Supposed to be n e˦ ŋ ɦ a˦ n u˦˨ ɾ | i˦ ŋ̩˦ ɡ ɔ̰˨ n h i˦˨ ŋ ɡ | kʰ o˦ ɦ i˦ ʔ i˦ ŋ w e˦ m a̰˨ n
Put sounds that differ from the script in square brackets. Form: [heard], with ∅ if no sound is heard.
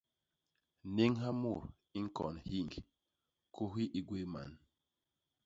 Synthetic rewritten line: n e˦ ŋ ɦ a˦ [m] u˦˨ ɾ | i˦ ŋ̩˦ [k] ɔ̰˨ n h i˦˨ ŋ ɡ | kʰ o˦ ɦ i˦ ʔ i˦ [ɡ] w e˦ m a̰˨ n